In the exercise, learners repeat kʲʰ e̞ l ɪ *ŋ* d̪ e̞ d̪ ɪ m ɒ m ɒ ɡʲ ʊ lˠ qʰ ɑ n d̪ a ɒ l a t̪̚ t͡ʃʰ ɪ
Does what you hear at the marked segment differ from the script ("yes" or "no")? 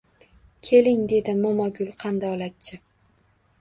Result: no